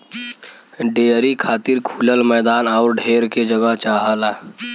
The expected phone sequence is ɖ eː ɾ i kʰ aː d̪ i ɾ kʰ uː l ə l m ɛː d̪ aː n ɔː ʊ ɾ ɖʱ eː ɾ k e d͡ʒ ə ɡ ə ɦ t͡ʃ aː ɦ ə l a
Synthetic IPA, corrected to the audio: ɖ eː ɾ i kʰ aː t̪ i ɾ kʰ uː l ə l m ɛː d̪ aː n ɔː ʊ ɾ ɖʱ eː ɾ k e d͡ʒ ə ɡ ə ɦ t͡ʃ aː ɦ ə l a